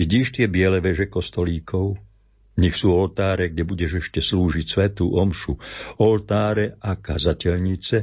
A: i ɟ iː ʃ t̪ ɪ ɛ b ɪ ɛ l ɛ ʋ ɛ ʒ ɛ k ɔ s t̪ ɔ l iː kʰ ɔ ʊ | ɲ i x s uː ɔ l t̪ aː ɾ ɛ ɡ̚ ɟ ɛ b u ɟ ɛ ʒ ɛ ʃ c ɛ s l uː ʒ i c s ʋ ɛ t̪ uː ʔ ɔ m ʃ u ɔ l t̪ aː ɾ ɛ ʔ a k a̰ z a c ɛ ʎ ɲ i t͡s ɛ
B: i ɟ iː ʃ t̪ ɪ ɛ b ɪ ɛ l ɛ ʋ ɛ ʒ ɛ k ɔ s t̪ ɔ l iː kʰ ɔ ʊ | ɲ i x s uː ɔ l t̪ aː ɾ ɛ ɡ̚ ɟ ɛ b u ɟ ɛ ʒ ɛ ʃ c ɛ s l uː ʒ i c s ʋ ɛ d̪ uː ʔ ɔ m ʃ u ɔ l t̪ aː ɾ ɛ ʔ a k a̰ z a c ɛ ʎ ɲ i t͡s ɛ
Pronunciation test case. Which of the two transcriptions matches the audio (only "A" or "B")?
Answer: A